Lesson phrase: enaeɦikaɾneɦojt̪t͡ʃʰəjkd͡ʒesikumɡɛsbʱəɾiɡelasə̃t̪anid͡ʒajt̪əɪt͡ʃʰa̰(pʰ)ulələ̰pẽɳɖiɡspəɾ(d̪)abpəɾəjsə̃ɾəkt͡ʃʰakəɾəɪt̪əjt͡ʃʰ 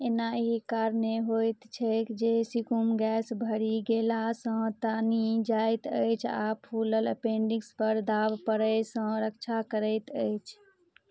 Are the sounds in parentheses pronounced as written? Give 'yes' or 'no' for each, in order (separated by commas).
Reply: yes, yes